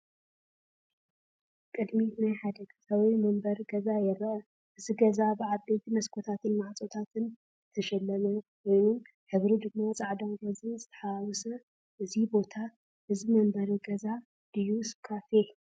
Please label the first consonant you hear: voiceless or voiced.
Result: voiceless